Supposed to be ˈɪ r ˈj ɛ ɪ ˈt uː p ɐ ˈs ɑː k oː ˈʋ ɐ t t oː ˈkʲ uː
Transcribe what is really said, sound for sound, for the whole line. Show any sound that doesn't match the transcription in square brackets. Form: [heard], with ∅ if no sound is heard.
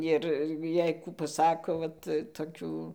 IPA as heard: ˈɪ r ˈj ɛ ɪ [ˈk] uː p ɐ ˈs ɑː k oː ˈʋ ɐ t t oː ˈkʲ uː

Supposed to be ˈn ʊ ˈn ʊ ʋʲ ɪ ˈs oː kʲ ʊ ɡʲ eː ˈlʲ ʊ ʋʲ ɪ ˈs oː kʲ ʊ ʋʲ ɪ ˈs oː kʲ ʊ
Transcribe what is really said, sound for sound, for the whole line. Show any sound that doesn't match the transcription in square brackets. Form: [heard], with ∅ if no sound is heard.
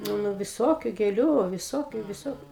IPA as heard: ˈn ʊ ˈn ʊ ʋʲ ɪ ˈs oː kʲ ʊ ɡʲ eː ˈlʲ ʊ ʋʲ ɪ ˈs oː kʲ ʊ ʋʲ ɪ ˈs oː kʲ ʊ

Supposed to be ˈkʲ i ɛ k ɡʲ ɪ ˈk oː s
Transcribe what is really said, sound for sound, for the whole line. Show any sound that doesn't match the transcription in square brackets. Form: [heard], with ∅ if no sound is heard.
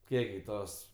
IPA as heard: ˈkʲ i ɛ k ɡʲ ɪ [ˈt] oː s

